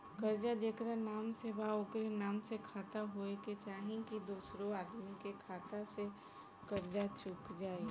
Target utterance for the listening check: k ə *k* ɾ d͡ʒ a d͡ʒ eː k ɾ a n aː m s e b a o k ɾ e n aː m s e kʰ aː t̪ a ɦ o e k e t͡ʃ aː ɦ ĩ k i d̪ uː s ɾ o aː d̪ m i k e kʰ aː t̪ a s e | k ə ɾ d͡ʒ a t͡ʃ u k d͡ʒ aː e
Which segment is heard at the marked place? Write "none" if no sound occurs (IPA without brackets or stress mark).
none